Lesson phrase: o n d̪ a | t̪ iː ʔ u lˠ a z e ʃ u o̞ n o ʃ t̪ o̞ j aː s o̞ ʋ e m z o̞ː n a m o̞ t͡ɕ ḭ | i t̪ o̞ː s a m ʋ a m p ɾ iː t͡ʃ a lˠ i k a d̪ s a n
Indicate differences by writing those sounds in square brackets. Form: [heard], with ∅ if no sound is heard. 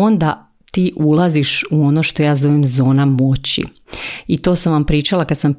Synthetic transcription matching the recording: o n d̪ a | t̪ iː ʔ u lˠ a z [i] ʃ u o̞ n o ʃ t̪ o̞ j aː [z] o̞ ʋ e m z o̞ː n a m o̞ t͡ɕ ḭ | i t̪ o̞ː s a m ʋ a m p ɾ iː t͡ʃ a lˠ [a] k a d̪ s a [m]